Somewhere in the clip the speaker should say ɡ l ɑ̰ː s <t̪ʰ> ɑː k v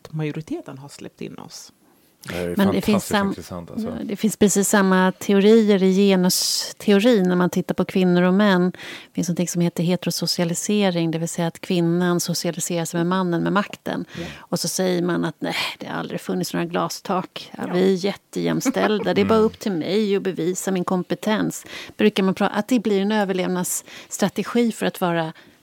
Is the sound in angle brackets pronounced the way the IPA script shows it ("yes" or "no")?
yes